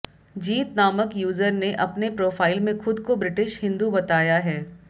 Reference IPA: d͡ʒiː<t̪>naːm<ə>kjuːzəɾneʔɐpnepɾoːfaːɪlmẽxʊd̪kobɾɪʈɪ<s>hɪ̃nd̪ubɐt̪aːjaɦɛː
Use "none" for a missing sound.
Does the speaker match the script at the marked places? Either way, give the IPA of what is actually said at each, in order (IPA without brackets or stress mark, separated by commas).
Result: t̪, ə, ʃ